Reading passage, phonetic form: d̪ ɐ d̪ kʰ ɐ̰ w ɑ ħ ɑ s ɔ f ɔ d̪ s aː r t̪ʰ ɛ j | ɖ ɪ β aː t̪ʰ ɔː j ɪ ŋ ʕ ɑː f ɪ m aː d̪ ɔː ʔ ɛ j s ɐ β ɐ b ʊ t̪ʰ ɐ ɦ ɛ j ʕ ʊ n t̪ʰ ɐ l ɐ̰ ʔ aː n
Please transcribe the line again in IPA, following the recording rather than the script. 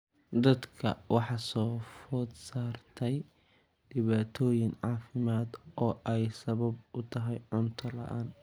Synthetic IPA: d̪ ɐ d̪ kʰ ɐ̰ w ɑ ħ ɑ s ɔː f ɔ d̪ s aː r t̪ʰ ɛ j | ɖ ɪ β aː t̪ʰ ɔː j ɪ ŋ ʕ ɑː f ɪ m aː d̪ ɔː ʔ ɛ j s ɐ β ɐ b ʊ t̪ʰ ɐ ɦ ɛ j ʕ ʊ n t̪ʰ ɐ l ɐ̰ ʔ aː n

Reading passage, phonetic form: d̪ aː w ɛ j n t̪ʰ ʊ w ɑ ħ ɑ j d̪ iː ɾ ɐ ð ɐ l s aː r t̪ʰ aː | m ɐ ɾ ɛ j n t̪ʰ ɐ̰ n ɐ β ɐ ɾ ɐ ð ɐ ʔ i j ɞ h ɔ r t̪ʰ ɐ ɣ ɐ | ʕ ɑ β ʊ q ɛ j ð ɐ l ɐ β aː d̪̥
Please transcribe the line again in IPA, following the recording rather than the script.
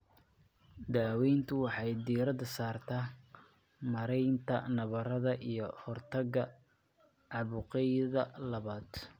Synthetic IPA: d̪ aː w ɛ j n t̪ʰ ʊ w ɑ ħ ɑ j d̪ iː ɾ ɐ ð ɐ s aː r t̪ʰ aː | m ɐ ɾ ɛ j n t̪ʰ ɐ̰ n ɐ β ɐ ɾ ɐ ð ɐ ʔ i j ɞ h ɔ r t̪ʰ ɐ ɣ ɐ | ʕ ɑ β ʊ q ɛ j ð ɐ l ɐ β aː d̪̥

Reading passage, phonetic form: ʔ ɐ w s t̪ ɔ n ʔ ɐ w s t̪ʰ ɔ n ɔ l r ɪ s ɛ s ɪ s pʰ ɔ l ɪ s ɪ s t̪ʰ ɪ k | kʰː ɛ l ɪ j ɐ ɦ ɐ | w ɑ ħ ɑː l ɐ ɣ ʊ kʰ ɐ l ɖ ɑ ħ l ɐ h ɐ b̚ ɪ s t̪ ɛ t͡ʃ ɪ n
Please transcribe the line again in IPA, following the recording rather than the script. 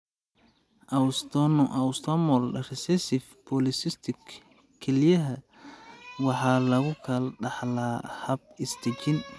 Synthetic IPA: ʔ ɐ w s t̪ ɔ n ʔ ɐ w s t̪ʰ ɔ m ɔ l r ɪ s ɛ s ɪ f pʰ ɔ l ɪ s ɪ s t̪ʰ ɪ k | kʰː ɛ l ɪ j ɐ ɦ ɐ | w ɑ ħ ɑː l ɐ ɣ ʊ kʰ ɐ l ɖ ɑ ħ l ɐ h ɐ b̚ ɪ s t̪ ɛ t͡ʃ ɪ n

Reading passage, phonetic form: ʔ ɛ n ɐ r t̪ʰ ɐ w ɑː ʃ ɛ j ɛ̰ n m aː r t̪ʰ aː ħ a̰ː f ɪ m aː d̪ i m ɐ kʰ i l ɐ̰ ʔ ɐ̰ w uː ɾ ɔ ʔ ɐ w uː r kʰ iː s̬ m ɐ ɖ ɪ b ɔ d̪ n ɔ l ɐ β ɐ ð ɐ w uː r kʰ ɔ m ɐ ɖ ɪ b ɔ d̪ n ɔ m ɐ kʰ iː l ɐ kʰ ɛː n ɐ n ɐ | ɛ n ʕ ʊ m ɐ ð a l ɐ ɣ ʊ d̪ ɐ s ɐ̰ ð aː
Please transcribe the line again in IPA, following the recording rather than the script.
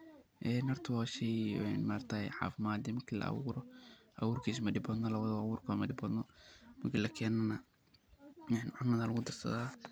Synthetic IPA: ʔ ɛ n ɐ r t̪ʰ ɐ w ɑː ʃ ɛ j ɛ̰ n m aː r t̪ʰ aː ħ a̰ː f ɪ m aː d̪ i m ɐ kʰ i l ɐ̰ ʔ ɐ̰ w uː ɾ ɔ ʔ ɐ w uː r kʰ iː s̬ m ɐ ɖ ɪ b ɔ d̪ n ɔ l ɐ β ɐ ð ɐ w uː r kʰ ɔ m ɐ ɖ ɪ b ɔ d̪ n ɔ m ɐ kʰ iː l ɐ kʰ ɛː n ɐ n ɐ | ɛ n ʕ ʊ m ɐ ð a l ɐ ɣ ʊ d̪ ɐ s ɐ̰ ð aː

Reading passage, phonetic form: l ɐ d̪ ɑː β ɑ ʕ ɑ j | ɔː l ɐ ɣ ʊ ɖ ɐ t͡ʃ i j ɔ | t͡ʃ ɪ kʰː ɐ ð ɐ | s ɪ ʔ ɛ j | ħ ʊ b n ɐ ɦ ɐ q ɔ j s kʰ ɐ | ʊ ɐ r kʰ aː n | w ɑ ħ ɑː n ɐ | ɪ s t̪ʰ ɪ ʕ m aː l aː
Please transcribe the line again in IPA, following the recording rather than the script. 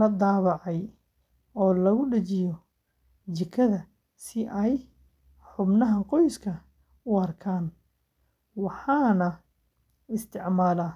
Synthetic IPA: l ɐ d̪ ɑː β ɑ ʕ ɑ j | ɔː l ɐ ɣ ʊ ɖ ɐ t͡ʃ ɪ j ɔ | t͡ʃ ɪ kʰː ɐ ð ɐ | s ɪ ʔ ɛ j | ħ ʊ b n ɐ ɦ ɐ q ɔ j s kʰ ɐ | ʊ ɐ r kʰ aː n | w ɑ ħ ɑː n ɐ | ɪ s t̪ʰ ɪ ʕ m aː l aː

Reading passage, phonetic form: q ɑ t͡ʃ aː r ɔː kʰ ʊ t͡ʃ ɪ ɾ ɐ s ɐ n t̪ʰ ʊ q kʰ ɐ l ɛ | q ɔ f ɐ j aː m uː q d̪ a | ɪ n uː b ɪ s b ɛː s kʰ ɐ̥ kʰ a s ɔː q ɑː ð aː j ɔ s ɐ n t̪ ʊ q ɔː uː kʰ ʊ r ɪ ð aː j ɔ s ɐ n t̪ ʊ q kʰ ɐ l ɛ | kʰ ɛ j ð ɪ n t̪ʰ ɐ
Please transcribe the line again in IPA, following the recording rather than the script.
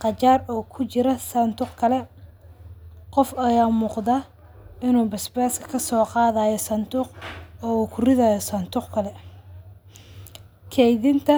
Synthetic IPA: q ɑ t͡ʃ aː r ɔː kʰ ʊ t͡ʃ ɪ ɾ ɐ s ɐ n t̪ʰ ʊ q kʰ ɐ l ɛ | q ɔ f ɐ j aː m uː q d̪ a | ɪ n uː b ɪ s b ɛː s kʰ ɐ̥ kʰ ɐ s ɔː q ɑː ð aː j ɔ s ɐ n t̪ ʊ q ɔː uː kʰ ʊ r ɪ ð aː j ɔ s ɐ n t̪ ʊ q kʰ ɐ l ɛ | kʰ ɛ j ð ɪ n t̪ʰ ɐ

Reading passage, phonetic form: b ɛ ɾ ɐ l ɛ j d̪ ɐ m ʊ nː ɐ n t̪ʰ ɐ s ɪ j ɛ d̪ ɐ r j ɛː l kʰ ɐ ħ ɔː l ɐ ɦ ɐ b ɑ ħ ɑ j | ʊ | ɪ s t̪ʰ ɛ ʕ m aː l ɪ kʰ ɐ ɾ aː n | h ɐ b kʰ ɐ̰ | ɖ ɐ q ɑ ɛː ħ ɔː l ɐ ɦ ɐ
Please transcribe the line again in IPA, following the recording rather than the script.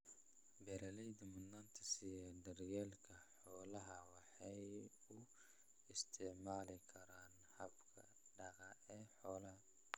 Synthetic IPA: b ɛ ɾ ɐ l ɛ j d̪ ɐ m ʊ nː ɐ n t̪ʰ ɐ s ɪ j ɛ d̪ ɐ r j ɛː l kʰ ɐ ħ ɔː l ɐ ɦ ɐ w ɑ ħ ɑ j | ʊ | ɪ s t̪ʰ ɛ ʕ m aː l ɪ kʰ ɐ ɾ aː n | h ɐ b kʰ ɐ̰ | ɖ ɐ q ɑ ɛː ħ ɔː l ɐ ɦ ɐ

